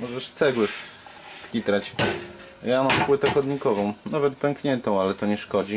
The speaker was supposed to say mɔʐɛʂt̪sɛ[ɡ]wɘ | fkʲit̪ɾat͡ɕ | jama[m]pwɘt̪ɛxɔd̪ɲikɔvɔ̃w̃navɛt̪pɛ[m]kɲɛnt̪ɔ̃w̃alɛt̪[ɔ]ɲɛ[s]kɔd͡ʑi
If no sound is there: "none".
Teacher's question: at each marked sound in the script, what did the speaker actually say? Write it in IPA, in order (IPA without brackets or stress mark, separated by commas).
ɡ, m, ŋ, ɔ, ʂ